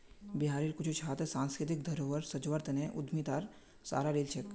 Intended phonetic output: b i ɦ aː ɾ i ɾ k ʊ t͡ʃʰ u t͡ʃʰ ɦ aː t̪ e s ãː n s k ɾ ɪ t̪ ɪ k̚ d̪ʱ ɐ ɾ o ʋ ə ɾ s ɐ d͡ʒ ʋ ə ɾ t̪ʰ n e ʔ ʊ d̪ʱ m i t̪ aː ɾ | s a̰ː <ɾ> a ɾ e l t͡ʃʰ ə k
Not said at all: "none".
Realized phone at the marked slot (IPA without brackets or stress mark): ɾ